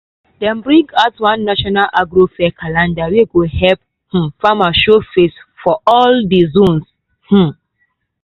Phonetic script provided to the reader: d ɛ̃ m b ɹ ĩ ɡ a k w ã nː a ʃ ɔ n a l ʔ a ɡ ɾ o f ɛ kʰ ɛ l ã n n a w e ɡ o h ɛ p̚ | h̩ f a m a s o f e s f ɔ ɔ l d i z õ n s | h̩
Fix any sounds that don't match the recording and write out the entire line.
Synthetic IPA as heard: d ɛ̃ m b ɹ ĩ ɡ a t w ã nː a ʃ ɔ n a l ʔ a ɡ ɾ o f ɛ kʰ a l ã n d a w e ɡ o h ɛ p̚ | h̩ f a m a ʃ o f e s f ɔ ɔ l d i z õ n s | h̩